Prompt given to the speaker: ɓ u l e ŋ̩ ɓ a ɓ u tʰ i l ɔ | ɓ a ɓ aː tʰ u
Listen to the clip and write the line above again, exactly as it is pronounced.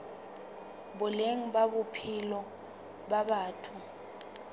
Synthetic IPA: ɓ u l e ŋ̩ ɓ a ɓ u pʰ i l ɔ | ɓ a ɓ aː tʰ u